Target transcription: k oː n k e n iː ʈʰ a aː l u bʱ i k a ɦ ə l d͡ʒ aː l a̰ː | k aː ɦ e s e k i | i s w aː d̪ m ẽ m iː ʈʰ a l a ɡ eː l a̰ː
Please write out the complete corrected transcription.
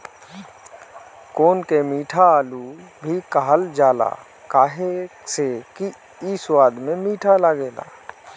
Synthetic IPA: k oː n k e m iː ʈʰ a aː l u bʱ i k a ɦ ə l d͡ʒ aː l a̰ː | k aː ɦ e s e k i | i s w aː d̪ m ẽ m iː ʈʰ a l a ɡ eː l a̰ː